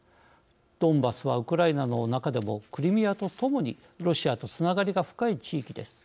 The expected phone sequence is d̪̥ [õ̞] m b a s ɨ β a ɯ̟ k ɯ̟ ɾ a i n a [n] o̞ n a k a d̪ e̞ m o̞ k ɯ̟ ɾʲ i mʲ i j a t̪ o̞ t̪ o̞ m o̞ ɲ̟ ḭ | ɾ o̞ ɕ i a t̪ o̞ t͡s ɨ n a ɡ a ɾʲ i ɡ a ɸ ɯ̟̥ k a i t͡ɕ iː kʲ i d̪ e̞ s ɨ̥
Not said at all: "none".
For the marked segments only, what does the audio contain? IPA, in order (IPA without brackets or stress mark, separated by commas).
õ̞, n